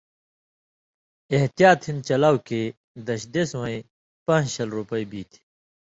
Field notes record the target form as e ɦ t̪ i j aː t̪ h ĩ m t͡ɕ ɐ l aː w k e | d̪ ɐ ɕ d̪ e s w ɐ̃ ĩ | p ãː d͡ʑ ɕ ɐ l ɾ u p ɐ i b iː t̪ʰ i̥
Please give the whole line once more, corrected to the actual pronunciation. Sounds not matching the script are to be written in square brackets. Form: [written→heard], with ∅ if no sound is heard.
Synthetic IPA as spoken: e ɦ t̪ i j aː t̪ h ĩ [m→n] t͡ɕ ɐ l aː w k e | d̪ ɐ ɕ d̪ e s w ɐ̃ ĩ | p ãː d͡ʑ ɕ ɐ l ɾ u p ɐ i b iː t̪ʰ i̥